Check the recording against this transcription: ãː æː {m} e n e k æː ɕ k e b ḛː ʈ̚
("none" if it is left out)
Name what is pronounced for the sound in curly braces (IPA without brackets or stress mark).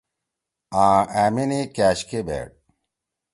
m